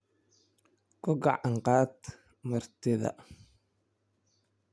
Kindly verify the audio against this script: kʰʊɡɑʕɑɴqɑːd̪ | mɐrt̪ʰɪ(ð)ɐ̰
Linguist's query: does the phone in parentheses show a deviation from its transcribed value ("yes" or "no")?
no